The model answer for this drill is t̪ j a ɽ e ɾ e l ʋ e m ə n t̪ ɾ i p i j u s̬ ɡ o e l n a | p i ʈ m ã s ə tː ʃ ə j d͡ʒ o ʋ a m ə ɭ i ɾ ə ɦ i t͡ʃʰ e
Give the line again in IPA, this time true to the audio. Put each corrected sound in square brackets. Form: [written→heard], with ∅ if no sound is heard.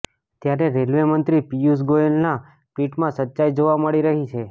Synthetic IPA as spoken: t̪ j a [ɽ→ɾ] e ɾ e l ʋ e m ə n t̪ ɾ i p i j u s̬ ɡ o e l n a | p i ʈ m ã s ə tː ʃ [ə→a] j d͡ʒ o ʋ a m ə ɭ i ɾ ə ɦ i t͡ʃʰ e